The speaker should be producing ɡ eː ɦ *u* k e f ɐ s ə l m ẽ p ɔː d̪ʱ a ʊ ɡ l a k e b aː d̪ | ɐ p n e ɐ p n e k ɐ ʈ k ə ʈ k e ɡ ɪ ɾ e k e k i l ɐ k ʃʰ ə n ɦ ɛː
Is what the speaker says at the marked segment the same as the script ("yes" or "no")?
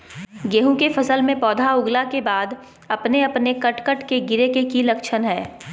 no